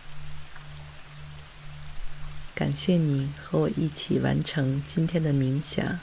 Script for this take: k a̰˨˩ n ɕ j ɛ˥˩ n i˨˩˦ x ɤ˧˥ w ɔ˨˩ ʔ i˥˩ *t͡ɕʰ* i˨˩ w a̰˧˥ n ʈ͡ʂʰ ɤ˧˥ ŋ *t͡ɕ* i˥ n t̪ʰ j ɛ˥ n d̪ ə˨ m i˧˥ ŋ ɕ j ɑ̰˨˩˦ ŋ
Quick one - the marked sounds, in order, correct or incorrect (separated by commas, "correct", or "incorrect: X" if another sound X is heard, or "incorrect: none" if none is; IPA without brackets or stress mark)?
correct, correct